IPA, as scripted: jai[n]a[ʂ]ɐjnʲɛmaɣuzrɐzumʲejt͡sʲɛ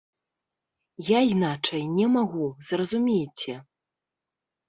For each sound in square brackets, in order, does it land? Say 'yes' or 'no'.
yes, no

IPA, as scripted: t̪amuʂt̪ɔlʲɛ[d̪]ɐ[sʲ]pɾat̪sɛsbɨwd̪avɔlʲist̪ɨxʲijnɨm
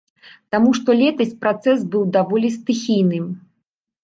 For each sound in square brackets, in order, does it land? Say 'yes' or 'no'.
no, yes

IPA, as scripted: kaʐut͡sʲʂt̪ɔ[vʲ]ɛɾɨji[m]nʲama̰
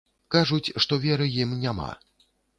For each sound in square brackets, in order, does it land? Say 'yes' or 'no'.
yes, yes

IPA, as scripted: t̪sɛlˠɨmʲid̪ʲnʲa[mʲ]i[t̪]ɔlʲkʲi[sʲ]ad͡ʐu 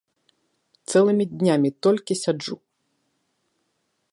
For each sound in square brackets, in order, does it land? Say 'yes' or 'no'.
yes, yes, yes

